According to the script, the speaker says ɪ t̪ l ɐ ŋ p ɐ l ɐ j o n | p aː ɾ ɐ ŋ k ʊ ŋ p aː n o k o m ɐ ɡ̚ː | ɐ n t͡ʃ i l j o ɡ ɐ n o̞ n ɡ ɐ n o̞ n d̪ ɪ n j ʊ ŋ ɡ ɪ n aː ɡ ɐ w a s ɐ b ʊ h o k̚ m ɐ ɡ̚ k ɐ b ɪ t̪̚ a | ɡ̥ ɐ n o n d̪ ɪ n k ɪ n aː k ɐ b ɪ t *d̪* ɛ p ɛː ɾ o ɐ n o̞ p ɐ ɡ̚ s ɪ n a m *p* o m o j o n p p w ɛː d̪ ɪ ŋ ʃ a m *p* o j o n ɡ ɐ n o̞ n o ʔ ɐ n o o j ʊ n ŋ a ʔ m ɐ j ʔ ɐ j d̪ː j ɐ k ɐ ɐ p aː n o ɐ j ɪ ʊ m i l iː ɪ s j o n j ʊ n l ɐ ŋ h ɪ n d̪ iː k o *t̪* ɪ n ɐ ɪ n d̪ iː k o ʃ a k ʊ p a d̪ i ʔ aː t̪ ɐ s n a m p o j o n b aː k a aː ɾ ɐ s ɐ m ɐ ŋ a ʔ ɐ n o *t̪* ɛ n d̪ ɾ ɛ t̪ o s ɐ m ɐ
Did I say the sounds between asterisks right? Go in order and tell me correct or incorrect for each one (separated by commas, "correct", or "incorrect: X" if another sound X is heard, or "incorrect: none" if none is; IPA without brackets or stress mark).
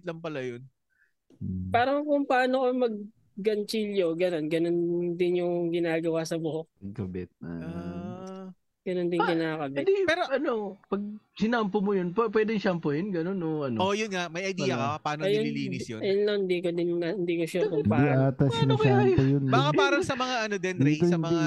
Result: correct, correct, correct, incorrect: d̪, incorrect: d̪